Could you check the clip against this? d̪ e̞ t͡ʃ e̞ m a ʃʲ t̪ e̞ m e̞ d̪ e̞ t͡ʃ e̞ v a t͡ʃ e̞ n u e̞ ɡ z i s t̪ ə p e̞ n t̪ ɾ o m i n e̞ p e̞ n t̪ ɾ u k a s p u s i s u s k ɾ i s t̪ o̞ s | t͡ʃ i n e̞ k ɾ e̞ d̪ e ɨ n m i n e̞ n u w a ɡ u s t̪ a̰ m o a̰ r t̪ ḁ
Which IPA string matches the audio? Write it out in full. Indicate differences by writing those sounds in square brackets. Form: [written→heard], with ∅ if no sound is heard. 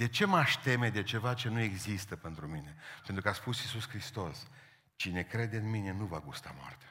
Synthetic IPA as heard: d̪ e̞ t͡ʃ e̞ m a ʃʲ t̪ e̞ m e̞ d̪ e̞ t͡ʃ e̞ v a t͡ʃ e̞ n u e̞ ɡ z i s t̪ ə p e̞ n t̪ ɾ [o→u] m i n e̞ p e̞ n t̪ ɾ u k a s p u s i s u s k ɾ i s t̪ o̞ s | t͡ʃ i n e̞ k ɾ e̞ d̪ e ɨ n m i n e̞ n u [w→v] a ɡ u s t̪ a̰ m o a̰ r t̪ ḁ